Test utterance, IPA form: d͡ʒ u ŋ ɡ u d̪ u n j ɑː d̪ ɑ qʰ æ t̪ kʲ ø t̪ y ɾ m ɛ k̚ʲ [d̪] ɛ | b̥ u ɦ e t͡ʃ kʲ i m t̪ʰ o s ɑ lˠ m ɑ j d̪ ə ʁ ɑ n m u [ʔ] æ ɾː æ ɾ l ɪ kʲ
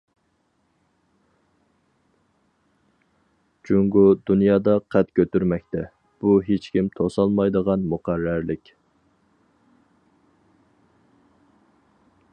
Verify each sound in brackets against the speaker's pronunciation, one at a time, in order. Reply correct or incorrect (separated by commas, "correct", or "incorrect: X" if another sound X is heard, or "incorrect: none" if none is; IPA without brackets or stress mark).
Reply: incorrect: t̪, incorrect: q